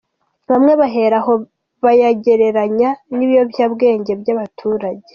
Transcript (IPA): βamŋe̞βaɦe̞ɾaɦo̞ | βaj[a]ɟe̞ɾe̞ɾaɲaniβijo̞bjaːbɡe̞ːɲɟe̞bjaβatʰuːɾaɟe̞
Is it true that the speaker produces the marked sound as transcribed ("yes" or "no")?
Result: yes